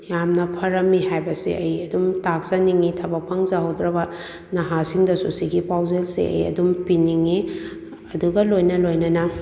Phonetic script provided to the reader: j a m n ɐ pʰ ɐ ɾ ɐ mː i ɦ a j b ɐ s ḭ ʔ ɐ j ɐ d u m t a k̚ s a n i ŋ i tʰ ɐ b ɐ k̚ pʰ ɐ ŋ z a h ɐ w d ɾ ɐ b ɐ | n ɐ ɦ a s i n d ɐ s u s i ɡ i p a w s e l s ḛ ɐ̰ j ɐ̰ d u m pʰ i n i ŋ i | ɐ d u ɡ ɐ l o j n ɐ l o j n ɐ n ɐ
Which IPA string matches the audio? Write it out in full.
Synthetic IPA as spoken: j a m n ɐ pʰ ɐ ɾ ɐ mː i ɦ a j b ɐ s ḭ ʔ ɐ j ɐ d u m t a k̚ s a n i ŋ i tʰ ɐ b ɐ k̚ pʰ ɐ ŋ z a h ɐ w d ɾ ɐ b ɐ | n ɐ ɦ a s i ŋ d ɐ s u s i ɡ i p a w z e l s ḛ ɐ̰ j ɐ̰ d u m p i n i ŋ i | ɐ d u ɡ ɐ l o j n ɐ l o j n ɐ n ɐ